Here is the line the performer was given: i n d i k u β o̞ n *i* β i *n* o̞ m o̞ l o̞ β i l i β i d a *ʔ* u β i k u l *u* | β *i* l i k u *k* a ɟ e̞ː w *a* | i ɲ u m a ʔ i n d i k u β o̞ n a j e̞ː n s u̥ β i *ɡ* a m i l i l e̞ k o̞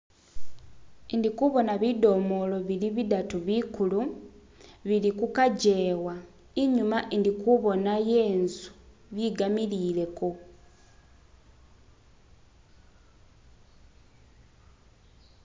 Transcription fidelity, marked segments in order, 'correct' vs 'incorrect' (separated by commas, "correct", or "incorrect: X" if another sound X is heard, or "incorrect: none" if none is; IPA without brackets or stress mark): incorrect: a, incorrect: d, incorrect: t, correct, correct, correct, correct, correct